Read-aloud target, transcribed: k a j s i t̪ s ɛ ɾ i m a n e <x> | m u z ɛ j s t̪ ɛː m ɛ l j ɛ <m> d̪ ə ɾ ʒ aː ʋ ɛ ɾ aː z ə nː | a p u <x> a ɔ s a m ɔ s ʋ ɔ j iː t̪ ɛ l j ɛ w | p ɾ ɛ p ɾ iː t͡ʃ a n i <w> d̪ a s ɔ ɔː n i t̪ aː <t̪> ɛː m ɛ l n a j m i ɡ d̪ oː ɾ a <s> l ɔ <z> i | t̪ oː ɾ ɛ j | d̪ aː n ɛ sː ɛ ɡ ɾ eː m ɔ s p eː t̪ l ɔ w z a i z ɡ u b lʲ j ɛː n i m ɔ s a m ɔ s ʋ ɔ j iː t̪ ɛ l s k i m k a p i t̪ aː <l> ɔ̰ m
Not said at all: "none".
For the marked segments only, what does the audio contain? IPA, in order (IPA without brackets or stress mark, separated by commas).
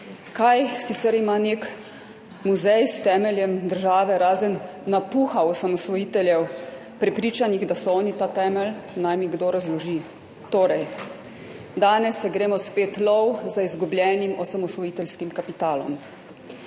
k, m, x, ɣ, t̪, z, ʒ, l